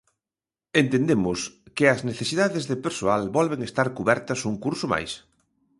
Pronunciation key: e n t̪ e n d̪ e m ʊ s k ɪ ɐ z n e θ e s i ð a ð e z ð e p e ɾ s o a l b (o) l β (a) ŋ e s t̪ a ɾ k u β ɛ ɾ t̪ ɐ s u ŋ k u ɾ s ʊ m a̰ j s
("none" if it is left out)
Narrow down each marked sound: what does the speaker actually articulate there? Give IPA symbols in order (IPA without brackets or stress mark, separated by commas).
ɔ, e